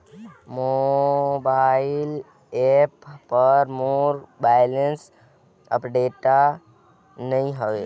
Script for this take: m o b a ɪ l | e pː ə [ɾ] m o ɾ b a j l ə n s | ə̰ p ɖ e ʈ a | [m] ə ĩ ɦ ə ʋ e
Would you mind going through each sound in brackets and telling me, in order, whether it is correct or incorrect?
correct, incorrect: n

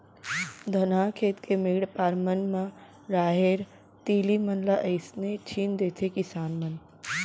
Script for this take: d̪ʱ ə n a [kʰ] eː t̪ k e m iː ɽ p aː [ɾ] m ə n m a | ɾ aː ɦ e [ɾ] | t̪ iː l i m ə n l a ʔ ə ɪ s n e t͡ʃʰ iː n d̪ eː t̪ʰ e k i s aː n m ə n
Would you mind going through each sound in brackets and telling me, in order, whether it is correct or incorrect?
correct, correct, correct

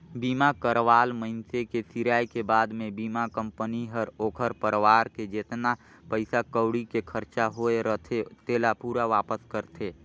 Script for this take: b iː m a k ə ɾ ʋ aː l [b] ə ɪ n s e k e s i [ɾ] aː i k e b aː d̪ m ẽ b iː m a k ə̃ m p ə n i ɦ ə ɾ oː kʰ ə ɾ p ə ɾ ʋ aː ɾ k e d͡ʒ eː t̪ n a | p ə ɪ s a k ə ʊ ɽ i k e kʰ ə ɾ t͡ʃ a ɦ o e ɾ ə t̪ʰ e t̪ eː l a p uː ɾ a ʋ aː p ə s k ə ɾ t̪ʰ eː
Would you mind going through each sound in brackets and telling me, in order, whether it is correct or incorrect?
incorrect: m, correct

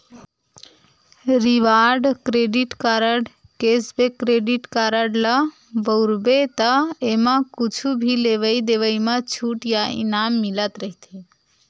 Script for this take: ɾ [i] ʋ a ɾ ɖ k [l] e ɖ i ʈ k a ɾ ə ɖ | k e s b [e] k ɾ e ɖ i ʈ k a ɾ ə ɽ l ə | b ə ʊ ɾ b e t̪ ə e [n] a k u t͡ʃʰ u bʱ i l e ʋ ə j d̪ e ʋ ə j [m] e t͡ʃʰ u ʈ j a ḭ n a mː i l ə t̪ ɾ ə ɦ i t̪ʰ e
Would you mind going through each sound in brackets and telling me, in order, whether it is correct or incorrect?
correct, incorrect: ɾ, correct, incorrect: m, correct

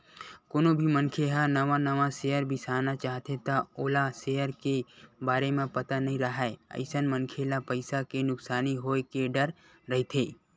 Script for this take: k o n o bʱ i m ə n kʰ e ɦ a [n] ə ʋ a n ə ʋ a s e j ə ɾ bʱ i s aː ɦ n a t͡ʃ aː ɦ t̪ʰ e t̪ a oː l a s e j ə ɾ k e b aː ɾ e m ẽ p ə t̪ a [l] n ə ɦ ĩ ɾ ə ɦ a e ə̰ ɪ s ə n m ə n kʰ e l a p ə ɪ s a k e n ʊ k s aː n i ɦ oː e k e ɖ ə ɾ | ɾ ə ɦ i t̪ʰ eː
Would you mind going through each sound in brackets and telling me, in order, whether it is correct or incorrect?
correct, incorrect: none

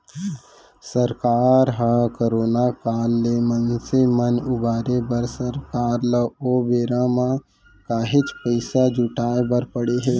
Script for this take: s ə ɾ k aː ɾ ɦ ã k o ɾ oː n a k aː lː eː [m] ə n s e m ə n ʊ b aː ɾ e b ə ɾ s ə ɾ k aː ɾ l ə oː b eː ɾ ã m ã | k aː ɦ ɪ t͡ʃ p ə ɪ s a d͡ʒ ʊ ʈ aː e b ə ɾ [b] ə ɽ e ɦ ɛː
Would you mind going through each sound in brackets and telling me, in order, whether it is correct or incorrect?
correct, incorrect: p

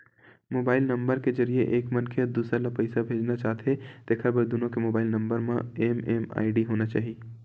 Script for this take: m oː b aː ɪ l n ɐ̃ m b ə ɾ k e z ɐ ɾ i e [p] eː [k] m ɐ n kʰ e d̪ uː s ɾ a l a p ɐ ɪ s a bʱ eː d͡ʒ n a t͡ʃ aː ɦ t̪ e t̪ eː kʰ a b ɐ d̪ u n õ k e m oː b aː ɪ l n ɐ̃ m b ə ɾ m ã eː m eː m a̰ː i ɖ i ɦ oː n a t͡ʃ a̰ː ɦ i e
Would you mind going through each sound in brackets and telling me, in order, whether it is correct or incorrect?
incorrect: ʔ, correct

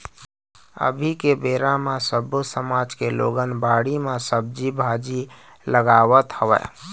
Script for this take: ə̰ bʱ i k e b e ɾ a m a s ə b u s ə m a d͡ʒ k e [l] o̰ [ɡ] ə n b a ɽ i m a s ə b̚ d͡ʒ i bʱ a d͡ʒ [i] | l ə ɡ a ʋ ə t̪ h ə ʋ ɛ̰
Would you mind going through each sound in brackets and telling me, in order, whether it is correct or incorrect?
correct, correct, correct

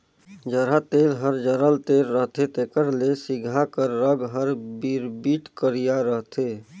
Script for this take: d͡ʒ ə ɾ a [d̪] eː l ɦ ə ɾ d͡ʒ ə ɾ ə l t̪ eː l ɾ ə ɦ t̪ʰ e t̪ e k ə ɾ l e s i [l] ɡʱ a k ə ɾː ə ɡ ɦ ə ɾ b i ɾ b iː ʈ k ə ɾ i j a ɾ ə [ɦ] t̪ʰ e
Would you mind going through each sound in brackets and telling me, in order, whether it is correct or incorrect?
incorrect: t̪, incorrect: none, correct

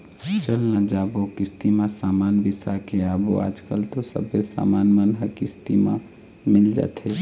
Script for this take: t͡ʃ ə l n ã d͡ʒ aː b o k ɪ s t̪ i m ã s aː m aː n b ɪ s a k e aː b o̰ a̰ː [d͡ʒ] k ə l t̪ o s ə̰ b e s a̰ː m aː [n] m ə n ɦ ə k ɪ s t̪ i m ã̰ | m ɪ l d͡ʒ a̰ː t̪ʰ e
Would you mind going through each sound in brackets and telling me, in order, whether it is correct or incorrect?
correct, correct

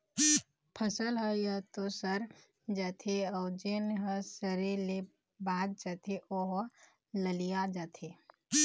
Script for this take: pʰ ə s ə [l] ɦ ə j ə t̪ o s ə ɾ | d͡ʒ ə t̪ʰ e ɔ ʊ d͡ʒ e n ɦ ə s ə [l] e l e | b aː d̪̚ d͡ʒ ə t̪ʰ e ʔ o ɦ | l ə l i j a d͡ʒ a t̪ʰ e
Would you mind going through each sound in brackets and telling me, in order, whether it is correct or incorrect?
correct, incorrect: ɾ

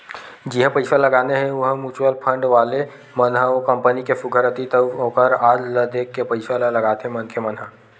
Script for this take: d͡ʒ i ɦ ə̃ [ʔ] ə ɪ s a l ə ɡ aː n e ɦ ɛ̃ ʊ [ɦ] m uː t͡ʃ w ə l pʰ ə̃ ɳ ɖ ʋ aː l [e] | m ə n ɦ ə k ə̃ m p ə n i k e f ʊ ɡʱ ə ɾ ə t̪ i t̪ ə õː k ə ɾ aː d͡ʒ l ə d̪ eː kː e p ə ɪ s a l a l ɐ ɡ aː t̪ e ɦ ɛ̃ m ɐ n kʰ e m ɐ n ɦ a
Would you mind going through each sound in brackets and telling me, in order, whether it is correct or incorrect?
incorrect: p, correct, correct

